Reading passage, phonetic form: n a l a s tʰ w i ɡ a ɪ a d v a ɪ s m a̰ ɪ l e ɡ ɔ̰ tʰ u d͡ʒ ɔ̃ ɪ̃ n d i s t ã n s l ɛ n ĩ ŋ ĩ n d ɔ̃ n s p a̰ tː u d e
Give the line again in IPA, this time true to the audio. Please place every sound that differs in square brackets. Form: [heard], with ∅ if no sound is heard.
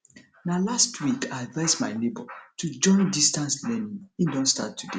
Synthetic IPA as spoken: n a l a s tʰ w i [k] a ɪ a d v a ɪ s m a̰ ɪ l e [b] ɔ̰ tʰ u d͡ʒ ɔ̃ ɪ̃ n d i s t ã n s l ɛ n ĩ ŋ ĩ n d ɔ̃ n s [t] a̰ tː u d e

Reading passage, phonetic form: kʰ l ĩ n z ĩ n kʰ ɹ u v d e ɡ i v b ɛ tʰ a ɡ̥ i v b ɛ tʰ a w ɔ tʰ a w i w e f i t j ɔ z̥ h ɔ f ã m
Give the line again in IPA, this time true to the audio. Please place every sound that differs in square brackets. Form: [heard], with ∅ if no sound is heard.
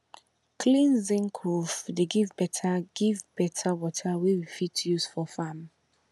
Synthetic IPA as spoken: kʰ l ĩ n z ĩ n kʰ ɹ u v d e ɡ i v b ɛ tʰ a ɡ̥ i v b ɛ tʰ a w ɔ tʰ a w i w [i] f i t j [u] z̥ [f] ɔ f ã m

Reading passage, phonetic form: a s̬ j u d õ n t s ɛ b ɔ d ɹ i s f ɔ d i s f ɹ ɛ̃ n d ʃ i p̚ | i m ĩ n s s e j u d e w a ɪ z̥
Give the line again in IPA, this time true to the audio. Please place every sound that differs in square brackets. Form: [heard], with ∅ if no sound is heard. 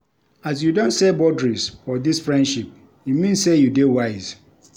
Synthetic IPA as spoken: a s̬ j u d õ n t s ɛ b ɔ d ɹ i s f ɔ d i s f ɹ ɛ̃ n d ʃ i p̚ | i m ĩ n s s e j u d e w a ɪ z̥

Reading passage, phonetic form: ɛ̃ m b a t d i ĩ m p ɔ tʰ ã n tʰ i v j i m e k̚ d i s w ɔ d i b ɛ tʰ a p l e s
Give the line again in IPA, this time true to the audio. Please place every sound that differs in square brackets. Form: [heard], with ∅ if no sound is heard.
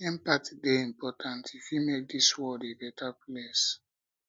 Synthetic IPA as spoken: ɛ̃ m [p] a t d [e] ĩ m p ɔ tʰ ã n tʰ i [f] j i m e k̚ d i s w ɔ d [e] b ɛ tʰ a p l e s

